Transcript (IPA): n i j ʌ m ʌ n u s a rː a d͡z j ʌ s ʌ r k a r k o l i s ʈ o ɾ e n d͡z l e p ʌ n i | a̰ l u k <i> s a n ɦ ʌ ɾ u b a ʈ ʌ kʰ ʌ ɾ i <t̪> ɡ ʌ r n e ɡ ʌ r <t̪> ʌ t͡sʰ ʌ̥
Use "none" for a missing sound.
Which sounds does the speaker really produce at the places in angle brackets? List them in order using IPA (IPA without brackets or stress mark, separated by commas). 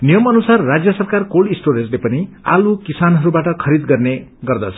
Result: i, d̪, d̪